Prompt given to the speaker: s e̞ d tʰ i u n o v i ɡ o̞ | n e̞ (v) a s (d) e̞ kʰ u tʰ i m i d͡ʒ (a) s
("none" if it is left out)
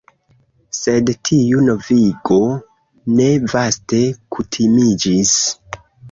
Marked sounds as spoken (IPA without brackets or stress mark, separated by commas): v, t, i